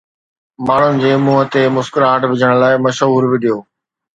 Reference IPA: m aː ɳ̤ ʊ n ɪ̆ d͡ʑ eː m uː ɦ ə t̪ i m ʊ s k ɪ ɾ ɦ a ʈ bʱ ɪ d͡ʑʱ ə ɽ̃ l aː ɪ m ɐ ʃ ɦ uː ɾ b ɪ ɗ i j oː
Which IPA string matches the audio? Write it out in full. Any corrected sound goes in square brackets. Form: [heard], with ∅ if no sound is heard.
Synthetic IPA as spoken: m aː ɳ̤ ʊ n ɪ̆ d͡ʑ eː m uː ɦ ə t̪ [e] m ʊ s k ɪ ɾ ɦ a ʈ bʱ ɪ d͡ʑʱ ə ɽ̃ l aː ɪ m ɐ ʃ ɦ uː ɾ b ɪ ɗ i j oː